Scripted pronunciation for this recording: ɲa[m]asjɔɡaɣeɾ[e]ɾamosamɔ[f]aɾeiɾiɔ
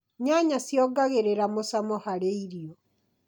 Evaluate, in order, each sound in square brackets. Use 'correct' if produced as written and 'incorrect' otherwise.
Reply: incorrect, correct, incorrect

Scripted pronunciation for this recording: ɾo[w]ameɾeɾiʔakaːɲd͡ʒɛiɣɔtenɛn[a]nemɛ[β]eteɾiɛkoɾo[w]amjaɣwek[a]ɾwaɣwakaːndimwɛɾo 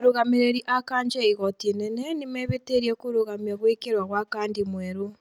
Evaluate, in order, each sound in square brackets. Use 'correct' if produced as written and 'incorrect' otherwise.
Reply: incorrect, incorrect, correct, incorrect, incorrect

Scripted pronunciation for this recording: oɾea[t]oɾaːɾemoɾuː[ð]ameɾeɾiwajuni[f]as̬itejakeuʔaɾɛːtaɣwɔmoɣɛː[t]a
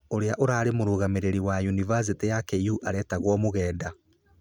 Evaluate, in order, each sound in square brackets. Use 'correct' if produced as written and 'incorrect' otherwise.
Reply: incorrect, incorrect, incorrect, incorrect

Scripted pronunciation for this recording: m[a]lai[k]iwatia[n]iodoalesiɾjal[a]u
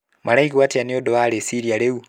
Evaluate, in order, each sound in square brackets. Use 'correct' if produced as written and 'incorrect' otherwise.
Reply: correct, correct, correct, incorrect

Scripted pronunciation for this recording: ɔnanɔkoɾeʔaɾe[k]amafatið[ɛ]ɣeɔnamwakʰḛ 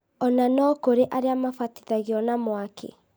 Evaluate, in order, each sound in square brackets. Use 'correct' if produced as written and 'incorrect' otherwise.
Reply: incorrect, incorrect

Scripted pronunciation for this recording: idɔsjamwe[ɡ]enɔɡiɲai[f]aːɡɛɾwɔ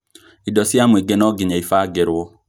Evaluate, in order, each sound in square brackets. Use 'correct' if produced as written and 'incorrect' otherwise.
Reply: correct, correct

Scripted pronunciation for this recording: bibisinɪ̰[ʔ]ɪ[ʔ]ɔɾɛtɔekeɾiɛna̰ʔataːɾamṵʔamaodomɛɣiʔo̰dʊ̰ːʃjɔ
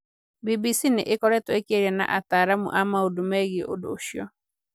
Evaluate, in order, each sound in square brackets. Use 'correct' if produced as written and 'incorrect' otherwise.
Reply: correct, incorrect

